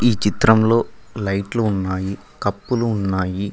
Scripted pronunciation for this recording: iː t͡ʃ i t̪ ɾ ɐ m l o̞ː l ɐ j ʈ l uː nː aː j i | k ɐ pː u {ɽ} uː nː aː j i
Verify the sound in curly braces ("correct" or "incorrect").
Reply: incorrect